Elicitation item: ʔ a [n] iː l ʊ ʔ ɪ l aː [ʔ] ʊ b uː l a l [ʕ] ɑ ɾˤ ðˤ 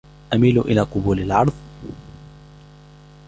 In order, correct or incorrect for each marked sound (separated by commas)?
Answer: incorrect, incorrect, correct